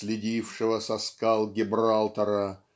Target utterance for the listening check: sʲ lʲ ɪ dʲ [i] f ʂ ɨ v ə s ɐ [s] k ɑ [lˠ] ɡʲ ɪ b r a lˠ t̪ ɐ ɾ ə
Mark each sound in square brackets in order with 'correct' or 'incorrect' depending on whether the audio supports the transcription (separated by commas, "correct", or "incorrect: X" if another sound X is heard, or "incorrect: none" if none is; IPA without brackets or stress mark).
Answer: correct, correct, correct